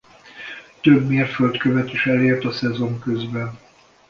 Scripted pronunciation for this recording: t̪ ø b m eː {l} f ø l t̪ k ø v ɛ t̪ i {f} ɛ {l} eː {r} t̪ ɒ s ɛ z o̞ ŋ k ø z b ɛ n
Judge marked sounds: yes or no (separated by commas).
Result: no, no, yes, yes